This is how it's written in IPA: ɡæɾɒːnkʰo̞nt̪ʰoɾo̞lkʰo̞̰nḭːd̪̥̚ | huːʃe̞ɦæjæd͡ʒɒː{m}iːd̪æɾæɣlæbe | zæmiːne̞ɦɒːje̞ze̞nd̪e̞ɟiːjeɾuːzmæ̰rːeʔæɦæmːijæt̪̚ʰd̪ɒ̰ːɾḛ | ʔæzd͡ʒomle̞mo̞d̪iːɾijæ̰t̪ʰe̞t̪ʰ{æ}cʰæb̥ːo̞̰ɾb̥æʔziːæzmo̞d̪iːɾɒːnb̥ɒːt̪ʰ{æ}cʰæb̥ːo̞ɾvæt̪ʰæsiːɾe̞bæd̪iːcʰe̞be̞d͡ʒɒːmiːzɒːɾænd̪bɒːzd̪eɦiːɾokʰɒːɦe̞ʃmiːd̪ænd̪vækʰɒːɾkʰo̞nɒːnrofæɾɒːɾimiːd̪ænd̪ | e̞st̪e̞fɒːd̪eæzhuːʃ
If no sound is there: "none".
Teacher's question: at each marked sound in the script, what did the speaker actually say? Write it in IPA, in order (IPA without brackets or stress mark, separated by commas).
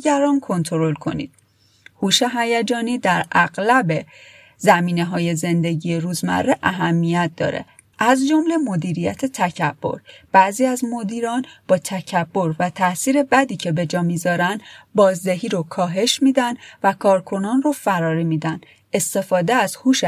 n, æ, æ